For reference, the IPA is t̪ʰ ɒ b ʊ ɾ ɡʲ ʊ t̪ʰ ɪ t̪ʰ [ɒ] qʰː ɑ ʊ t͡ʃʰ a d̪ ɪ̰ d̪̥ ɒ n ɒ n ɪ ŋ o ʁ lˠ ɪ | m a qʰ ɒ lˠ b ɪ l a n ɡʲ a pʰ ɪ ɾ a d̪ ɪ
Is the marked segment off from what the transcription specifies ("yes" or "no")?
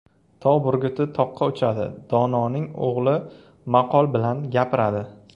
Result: no